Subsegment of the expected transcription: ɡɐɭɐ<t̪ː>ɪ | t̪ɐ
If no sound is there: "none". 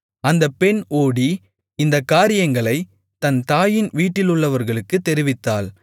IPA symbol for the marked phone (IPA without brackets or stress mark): none